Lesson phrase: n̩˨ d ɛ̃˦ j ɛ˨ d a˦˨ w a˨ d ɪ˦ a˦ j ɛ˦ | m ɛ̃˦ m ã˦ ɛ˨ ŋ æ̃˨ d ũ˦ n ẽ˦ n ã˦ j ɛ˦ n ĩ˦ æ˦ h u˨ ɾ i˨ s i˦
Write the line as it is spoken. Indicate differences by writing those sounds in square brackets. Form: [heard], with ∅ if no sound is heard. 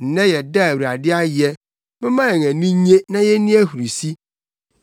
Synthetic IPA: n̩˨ [n] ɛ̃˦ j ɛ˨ d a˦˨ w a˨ d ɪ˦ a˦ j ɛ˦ | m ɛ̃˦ m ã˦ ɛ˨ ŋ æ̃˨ [n] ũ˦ [ɲ] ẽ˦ n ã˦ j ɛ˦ n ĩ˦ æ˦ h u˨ ɾ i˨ s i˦